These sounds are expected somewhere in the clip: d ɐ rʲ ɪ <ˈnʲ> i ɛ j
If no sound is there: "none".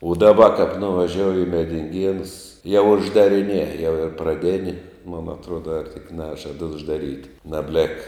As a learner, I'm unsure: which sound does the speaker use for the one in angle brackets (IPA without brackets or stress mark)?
nʲ